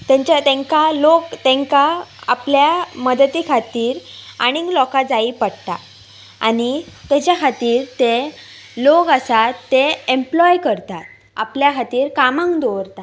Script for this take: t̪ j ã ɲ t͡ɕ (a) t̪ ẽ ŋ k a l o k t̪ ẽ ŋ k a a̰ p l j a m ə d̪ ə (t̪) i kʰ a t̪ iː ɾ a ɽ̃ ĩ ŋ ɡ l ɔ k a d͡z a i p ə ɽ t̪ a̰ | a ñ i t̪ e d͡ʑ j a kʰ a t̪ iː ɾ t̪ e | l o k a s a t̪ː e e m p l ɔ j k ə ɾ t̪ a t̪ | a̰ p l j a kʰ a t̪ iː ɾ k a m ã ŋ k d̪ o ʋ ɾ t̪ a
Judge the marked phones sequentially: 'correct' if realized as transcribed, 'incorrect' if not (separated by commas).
correct, correct